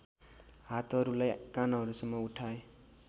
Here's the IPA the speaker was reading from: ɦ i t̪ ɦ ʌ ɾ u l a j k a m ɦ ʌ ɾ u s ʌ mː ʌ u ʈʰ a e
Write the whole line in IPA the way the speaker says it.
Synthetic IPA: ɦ a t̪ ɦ ʌ ɾ u l a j k a n ɦ ʌ ɾ u s ʌ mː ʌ u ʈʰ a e